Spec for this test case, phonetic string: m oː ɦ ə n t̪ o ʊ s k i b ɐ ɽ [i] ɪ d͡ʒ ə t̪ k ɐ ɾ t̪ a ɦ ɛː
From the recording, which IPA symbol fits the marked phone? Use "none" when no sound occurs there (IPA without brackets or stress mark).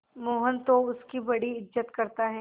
i